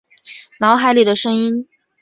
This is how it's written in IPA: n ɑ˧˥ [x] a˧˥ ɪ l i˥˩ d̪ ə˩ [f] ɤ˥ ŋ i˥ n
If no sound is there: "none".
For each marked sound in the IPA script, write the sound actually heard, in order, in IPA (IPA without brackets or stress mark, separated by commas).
x, ʂ